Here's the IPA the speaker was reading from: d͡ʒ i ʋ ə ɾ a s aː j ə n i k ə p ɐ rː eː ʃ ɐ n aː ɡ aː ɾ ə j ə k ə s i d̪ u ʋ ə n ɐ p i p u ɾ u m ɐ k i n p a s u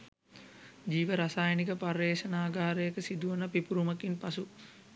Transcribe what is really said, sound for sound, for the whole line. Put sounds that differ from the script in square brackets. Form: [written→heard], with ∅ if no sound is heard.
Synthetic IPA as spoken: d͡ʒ [i→iː] ʋ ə ɾ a s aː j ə n i k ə p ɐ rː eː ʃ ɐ n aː ɡ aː ɾ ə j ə k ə s i d̪ u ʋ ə n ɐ p i p u ɾ u m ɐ k i n p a s u